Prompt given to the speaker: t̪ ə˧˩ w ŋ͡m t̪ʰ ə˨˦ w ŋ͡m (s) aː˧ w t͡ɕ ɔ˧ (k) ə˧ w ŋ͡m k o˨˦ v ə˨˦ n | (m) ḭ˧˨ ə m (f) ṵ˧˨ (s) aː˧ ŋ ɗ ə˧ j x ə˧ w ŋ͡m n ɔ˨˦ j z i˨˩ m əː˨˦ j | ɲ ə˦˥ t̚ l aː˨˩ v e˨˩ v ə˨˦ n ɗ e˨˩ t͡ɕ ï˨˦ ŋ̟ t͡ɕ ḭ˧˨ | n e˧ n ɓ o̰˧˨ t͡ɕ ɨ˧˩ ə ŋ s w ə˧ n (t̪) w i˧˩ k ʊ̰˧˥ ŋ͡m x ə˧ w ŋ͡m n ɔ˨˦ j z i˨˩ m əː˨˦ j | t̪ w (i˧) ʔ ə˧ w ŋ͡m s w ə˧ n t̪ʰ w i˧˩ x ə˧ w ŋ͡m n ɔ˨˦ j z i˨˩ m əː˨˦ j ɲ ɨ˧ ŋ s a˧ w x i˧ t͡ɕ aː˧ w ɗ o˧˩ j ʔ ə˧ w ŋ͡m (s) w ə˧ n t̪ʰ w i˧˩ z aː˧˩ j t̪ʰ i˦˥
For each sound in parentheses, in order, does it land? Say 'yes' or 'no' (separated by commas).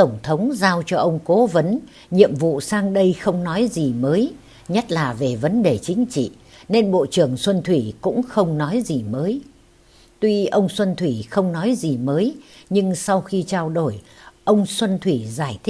no, no, no, no, yes, no, yes, yes